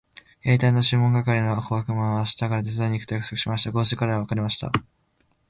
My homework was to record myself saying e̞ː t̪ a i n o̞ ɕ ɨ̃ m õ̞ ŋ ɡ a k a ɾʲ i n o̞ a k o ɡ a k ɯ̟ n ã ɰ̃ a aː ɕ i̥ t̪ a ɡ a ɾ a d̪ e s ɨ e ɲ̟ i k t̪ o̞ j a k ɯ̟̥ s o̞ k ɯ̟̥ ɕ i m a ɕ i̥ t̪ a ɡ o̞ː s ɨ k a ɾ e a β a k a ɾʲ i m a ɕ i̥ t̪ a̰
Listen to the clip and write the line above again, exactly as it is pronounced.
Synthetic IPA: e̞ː t̪ a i n o̞ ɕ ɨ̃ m õ̞ ŋ ɡ a k a ɾʲ i n o̞ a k o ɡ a k ɯ̟ m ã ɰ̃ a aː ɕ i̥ t̪ a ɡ a ɾ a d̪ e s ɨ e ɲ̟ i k t̪ o̞ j a k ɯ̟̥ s o̞ k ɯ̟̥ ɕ i m a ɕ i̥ t̪ a ɡ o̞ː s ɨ k a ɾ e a β a k a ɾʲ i m a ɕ i̥ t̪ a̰

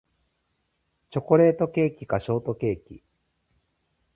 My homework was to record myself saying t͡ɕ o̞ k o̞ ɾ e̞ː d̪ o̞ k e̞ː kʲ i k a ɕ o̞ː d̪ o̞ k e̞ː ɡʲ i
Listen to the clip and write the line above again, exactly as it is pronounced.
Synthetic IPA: t͡ɕ o̞ k o̞ ɾ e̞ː t̪ o̞ k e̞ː kʲ i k a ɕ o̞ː t̪ o̞ k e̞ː kʲ i

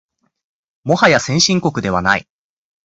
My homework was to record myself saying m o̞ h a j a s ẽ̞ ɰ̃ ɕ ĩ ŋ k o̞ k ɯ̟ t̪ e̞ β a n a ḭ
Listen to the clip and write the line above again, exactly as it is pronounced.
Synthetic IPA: m o̞ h a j a s ẽ̞ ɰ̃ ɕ ĩ ŋ k o̞ k ɯ̟ d̪ e̞ β a n a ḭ

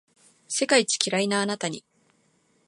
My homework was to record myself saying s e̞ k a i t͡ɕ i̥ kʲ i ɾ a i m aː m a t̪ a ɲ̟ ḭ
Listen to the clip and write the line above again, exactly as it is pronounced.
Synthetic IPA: s e̞ k a i t͡ɕ i̥ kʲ i ɾ a i n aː n a t̪ a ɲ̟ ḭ

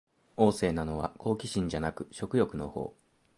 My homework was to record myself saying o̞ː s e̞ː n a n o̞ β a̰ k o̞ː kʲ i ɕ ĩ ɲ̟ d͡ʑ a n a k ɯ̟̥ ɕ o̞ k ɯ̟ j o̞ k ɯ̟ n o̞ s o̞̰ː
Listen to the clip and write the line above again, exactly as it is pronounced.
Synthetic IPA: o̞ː s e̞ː n a n o̞ β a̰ k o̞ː kʲ i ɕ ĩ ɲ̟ d͡ʑ a n a k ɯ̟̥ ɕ o̞ k ɯ̟ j o̞ k ɯ̟ n o̞ h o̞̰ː

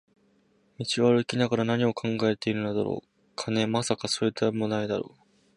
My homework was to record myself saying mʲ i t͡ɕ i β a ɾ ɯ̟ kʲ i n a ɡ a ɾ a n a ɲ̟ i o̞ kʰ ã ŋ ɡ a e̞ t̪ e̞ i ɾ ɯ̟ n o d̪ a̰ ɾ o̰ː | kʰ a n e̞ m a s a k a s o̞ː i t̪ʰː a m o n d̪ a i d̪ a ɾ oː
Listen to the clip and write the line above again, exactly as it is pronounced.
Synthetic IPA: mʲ i t͡ɕ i β a ɾ ɯ̟ kʲ i n a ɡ a ɾ a n a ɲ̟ i o̞ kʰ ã ŋ ɡ a e̞ t̪ e̞ i ɾ ɯ̟ n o d̪ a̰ ɾ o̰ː | kʰ a n e̞ m a s a k a s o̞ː i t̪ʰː a m o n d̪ a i d̪ a ɾ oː

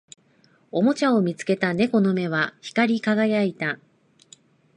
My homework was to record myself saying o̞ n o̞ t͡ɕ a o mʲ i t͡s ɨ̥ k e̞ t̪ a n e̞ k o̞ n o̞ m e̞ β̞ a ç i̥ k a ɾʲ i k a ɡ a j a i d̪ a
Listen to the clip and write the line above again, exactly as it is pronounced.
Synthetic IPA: o̞ m o̞ t͡ɕ a o mʲ i t͡s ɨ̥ k e̞ t̪ a n e̞ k o̞ n o̞ m e̞ β̞ a ç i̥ k a ɾʲ i k a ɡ a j a i t̪ a

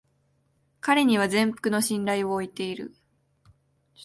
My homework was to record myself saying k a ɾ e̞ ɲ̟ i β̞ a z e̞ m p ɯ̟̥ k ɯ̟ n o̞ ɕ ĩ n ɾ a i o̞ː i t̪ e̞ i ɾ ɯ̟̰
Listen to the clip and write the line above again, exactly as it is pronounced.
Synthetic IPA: k a ɾ e̞ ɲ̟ i β̞ a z ẽ̞ m p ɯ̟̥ k ɯ̟ n o̞ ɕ ĩ n ɾ a i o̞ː i t̪ e̞ i ɾ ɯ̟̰

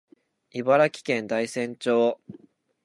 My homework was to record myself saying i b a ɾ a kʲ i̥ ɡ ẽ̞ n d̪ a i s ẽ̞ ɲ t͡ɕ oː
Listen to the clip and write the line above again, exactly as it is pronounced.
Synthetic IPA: i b a ɾ a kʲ i̥ k ẽ̞ n d̪ a i s ẽ̞ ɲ t͡ɕ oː

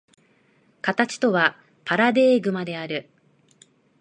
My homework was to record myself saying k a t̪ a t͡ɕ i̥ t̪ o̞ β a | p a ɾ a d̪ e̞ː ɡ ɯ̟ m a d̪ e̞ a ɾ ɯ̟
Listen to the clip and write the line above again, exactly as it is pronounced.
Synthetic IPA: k a t̪ a t͡ɕ i̥ t̪ o̞ β a | p a ɾ a d̪ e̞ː ɡ ɯ̟ m a d̪ e̞ a ɾ ɯ̟

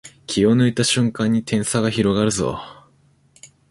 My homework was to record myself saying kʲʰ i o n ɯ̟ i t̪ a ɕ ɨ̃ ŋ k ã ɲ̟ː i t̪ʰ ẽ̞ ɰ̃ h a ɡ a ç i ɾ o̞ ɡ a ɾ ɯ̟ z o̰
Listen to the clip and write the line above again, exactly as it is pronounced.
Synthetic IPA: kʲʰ i o n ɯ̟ i t̪ a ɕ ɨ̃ ŋ k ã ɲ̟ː i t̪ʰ ẽ̞ ɰ̃ s a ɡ a ç i ɾ o̞ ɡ a ɾ ɯ̟ z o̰

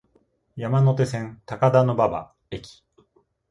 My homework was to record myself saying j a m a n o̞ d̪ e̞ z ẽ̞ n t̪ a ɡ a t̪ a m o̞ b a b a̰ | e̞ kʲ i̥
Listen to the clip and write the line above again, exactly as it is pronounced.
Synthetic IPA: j a m a n o̞ t̪ e̞ s ẽ̞ n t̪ a k a d̪ a n o̞ b a b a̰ | e̞ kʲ i̥

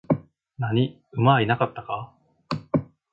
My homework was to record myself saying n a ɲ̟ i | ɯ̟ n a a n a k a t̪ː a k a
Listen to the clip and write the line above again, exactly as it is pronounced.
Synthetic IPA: n a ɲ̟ i | ɯ̟ m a i n a k a t̪ː a k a

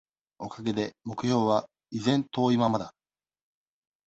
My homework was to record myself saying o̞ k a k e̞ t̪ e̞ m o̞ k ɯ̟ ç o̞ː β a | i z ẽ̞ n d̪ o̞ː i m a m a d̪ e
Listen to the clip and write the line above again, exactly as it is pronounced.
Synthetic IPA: o̞ k a ɡ e̞ d̪ e̞ m o̞ k ɯ̟ ç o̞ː β a | i z ẽ̞ n t̪ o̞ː i m a m a d̪ a

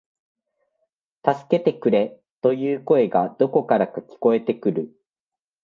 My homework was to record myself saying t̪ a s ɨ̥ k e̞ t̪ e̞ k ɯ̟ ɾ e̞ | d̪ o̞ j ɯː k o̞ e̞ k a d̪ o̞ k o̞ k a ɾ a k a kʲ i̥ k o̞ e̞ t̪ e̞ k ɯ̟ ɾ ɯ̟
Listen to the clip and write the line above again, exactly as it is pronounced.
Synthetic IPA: t̪ a s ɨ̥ k e̞ t̪ e̞ k ɯ̟ ɾ e̞ | t̪ o̞ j ɯː k o̞ e̞ ɡ a d̪ o̞ k o̞ k a ɾ a k a kʲ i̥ k o̞ e̞ t̪ e̞ k ɯ̟ ɾ ɯ̟

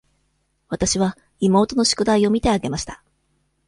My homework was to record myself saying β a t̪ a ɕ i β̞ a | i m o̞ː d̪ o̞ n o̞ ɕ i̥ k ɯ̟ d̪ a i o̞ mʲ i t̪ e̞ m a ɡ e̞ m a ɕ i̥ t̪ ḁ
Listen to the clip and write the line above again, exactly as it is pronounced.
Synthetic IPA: β a t̪ a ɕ i β̞ a | i m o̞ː t̪ o̞ n o̞ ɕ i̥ k ɯ̟ d̪ a i o̞ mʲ i t̪ e̞ a ɡ e̞ m a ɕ i̥ t̪ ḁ

